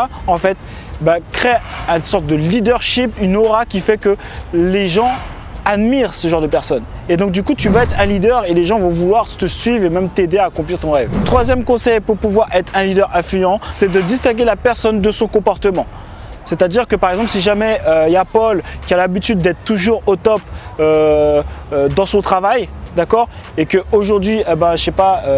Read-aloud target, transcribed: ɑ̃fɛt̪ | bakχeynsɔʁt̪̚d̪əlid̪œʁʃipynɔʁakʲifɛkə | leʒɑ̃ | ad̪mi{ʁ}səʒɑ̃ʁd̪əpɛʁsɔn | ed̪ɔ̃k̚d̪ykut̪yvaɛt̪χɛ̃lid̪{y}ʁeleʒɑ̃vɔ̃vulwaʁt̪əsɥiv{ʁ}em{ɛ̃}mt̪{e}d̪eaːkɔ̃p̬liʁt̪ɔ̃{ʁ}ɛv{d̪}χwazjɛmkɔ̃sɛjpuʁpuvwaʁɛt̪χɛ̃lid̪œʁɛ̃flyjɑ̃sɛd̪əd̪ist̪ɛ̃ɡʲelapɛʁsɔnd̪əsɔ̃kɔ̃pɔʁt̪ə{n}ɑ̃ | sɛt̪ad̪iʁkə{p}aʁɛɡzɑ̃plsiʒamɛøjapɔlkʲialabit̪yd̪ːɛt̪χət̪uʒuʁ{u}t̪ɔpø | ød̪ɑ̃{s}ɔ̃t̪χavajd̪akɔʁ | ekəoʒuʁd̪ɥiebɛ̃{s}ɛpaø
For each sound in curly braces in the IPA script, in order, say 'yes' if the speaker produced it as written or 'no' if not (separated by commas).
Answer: yes, no, yes, no, yes, yes, no, no, yes, no, yes, no